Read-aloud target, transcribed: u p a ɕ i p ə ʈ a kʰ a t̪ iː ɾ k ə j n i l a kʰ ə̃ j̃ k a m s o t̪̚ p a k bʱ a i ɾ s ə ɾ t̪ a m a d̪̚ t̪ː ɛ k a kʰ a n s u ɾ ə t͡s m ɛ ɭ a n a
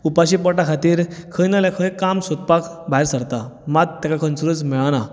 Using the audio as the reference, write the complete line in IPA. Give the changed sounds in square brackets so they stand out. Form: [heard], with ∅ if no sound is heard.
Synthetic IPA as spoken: u p a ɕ i p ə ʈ a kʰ a t̪ iː ɾ [kʰ] ə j n [a] l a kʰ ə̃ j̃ k a m s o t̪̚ p a k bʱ a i ɾ s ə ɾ t̪ a m a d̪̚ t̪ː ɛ k a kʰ [ə] n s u ɾ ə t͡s m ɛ ɭ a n a